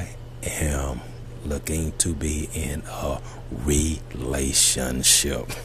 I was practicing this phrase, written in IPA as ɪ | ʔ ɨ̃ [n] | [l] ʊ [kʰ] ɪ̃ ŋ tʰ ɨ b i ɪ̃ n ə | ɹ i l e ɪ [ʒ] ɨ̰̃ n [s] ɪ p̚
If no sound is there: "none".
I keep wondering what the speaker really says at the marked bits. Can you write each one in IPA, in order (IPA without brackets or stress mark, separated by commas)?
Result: m, l, k, ʃ, ʃ